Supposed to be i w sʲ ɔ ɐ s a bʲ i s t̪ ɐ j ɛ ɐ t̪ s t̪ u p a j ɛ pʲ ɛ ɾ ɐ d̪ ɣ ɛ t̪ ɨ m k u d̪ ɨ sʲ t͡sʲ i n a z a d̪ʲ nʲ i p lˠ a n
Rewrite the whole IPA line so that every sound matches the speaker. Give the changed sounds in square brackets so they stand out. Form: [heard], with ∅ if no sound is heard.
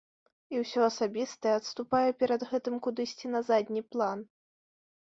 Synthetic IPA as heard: i w sʲ ɔ ɐ s a bʲ i s t̪ ɐ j ɛ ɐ t̪ s t̪ u p a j ɛ pʲ ɛ ɾ ɐ d̪ ɣ ɛ t̪ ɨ m k u d̪ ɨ sʲ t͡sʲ i n [ɐ] z a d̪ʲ nʲ i p lˠ a n